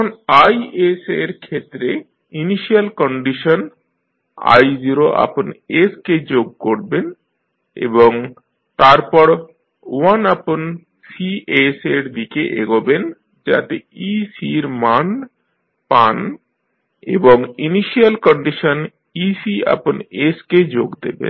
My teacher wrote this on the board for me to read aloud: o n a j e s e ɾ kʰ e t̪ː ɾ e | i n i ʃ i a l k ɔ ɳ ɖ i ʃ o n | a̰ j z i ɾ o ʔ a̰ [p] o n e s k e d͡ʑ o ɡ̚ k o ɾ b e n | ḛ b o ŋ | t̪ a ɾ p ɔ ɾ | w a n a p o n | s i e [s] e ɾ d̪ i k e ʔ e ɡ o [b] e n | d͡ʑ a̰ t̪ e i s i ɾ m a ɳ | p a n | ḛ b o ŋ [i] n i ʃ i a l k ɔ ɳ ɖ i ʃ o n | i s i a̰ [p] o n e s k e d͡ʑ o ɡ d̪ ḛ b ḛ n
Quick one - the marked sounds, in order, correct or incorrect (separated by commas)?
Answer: correct, correct, correct, correct, correct